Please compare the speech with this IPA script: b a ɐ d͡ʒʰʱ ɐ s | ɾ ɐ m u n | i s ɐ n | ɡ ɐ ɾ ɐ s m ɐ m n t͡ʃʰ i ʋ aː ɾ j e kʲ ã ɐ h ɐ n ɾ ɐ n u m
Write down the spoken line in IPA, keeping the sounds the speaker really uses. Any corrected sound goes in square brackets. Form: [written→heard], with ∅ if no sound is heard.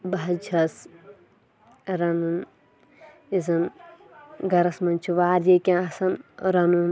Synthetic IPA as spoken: b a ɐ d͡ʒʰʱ ɐ s | ɾ ɐ [m→n] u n | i [s→z] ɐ n | ɡ ɐ ɾ ɐ s m ɐ [m→∅] n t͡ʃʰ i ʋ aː ɾ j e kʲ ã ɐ [h→s] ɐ n ɾ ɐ n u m